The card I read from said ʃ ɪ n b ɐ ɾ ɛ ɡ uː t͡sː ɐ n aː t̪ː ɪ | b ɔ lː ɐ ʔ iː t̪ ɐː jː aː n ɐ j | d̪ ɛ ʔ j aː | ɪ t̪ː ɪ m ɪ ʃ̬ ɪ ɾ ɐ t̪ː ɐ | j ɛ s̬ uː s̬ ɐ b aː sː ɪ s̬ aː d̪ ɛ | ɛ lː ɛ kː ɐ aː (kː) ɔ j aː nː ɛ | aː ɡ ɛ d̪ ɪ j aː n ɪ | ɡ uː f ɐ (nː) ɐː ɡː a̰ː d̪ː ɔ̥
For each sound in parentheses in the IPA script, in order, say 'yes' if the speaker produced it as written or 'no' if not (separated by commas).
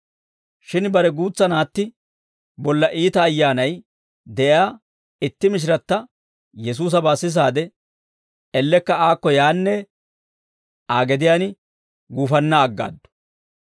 yes, yes